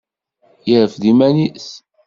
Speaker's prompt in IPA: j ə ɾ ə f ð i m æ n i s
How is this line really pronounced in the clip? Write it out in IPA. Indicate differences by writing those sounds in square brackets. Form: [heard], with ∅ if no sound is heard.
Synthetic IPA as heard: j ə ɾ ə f ð i m æ n i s